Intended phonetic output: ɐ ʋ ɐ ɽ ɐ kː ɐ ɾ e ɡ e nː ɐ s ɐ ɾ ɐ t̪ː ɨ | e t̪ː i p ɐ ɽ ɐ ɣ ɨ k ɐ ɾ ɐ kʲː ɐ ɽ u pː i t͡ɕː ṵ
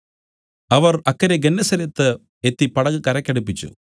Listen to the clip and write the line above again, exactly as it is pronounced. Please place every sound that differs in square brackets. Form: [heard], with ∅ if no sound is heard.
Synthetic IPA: ɐ ʋ ɐ [r] ɐ kː ɐ ɾ e ɡ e nː ɐ s ɐ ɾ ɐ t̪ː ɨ | e t̪ː i p ɐ ɽ ɐ ɣ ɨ k ɐ ɾ ɐ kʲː ɐ ɽ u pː i t͡ɕː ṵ